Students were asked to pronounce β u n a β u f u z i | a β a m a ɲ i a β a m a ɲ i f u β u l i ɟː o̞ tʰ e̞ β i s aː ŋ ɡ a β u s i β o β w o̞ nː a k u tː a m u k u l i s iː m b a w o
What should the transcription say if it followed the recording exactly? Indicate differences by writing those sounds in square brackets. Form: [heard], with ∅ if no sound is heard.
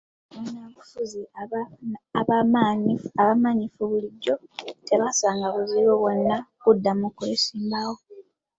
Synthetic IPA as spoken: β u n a β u f u z i | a β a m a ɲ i a β a m a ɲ i f u β u l i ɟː o̞ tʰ e̞ β [a] s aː ŋ ɡ a β u [z] i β o β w o̞ nː a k u [dː] a m u k u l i s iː m b a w o